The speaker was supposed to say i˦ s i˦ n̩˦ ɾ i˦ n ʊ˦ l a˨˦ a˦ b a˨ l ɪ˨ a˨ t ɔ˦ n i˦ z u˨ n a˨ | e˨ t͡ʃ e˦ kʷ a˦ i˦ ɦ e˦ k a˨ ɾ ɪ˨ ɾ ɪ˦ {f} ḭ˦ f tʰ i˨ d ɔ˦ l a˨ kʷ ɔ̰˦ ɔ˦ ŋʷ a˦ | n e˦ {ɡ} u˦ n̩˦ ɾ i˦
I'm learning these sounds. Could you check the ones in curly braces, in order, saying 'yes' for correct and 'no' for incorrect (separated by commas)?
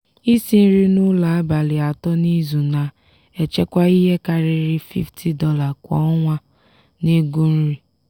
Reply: yes, yes